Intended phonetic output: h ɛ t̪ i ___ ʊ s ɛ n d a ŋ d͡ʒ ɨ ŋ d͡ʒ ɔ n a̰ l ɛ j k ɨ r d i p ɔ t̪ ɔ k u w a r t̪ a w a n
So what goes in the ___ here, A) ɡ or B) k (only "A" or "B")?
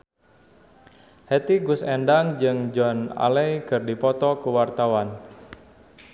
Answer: A